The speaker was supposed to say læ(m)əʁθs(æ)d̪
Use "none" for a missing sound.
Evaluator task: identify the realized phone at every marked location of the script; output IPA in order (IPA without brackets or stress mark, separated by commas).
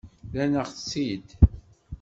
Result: n, i